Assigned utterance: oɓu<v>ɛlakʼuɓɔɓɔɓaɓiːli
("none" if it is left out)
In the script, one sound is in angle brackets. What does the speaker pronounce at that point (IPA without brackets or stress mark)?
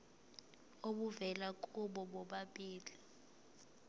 v